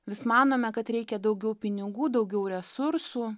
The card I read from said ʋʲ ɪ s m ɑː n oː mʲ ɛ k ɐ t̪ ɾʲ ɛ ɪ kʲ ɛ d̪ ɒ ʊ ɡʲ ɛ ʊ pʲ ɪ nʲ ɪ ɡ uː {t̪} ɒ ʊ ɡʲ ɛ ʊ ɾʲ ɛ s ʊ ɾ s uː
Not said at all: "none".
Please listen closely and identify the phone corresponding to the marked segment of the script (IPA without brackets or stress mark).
d̪